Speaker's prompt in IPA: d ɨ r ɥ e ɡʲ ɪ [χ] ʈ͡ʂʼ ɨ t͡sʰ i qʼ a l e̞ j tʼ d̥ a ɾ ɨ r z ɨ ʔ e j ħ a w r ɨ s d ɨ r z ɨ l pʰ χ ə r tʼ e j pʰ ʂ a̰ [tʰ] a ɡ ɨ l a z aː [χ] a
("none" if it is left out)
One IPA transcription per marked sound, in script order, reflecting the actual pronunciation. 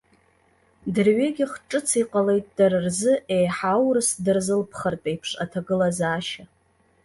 χ, tʰ, ʃ

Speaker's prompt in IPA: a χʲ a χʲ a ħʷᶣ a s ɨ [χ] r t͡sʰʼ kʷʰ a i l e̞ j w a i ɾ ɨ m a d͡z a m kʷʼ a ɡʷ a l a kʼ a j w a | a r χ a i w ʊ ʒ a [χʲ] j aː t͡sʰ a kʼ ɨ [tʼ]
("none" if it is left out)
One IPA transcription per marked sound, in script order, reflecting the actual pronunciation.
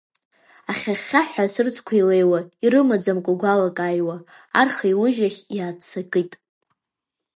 none, χʲ, tʼ

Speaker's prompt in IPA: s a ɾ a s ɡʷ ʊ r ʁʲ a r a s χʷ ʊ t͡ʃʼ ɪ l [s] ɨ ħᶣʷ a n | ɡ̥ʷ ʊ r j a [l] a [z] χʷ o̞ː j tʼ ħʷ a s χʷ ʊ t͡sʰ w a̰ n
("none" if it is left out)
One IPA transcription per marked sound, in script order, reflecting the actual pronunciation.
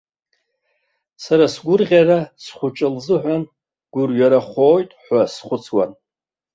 z, ɾ, none

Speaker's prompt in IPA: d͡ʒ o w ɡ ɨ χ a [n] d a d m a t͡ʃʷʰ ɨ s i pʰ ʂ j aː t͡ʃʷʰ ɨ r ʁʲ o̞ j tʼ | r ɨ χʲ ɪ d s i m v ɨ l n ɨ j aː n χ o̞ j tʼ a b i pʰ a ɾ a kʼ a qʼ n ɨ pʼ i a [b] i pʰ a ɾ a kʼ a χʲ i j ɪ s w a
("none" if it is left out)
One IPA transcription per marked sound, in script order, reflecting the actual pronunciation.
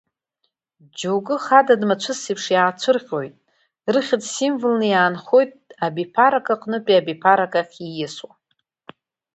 none, b

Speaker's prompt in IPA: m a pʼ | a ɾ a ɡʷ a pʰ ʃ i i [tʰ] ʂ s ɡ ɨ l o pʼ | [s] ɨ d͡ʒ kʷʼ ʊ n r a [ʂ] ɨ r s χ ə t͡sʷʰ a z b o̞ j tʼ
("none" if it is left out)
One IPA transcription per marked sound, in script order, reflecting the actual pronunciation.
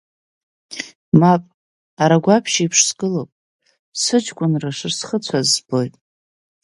pʰ, s, ʂ

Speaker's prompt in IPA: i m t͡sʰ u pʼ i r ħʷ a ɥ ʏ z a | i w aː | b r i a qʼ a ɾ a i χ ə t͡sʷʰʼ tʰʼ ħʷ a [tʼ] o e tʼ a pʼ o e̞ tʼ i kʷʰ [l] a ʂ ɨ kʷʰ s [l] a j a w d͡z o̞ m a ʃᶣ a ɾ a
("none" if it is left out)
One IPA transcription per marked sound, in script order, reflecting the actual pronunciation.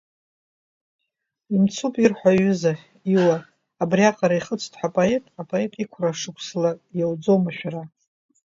pʼ, r, l

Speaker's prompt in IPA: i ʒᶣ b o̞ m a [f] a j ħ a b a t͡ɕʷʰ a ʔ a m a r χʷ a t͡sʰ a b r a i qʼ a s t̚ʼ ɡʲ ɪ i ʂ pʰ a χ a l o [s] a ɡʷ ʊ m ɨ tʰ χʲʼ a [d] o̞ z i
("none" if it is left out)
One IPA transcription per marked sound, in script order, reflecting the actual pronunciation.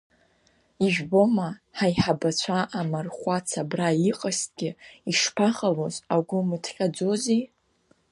ħ, z, d͡z

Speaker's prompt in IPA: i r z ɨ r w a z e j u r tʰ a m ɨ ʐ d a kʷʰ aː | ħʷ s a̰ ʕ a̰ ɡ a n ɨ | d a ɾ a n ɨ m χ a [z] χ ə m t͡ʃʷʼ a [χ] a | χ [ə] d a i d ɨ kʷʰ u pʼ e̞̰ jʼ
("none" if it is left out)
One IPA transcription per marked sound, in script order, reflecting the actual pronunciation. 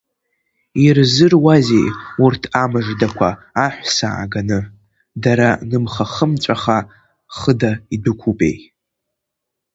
none, χ, ə

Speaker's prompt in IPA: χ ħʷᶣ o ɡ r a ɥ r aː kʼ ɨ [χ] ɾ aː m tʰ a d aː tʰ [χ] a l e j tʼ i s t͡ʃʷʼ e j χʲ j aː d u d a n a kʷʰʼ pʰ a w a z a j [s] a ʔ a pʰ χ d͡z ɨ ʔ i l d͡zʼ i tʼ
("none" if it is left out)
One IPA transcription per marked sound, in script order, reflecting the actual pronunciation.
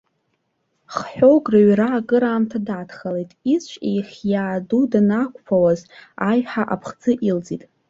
none, χ, ħ

